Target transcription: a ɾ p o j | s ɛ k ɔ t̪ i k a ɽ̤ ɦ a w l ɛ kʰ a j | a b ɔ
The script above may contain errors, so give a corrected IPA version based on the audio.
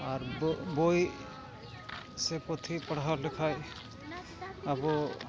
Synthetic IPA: a ɾ b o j | s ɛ p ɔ t̪ʰ i p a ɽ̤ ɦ a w l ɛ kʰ a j | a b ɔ